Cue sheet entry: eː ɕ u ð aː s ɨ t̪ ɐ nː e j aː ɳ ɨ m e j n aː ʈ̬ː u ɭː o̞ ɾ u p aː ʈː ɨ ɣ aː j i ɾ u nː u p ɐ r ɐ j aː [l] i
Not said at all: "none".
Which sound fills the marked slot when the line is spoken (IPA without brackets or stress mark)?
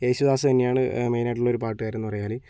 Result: l